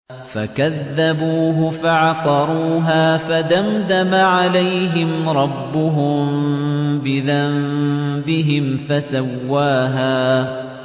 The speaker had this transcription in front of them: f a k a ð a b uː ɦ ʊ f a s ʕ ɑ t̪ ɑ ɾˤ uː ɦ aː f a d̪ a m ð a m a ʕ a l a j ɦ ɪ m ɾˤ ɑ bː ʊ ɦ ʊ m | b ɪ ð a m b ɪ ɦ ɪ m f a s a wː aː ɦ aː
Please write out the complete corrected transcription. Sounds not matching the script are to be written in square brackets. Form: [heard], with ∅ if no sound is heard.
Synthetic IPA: f a k a [ðː] a b uː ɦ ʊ f a [∅] ʕ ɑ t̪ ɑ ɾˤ uː ɦ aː f a d̪ a m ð a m a ʕ a l a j ɦ ɪ m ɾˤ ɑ bː ʊ ɦ ʊ m | b ɪ ð a m b ɪ ɦ ɪ m f a s a wː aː ɦ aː